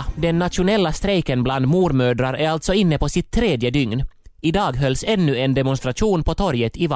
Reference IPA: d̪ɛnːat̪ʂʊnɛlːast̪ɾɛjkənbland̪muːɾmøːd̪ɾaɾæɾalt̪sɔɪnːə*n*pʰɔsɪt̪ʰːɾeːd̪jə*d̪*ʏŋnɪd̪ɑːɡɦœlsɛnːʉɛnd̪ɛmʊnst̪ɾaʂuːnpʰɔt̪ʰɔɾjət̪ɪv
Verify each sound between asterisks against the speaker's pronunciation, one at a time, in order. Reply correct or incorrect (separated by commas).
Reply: incorrect, correct